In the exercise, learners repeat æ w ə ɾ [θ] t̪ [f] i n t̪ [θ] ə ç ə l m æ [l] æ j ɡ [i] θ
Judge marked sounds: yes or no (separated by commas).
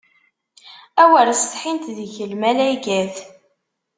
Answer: no, no, no, yes, no